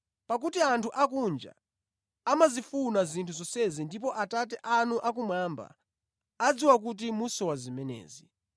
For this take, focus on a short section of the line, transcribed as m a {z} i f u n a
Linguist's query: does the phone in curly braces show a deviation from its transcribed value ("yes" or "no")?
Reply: no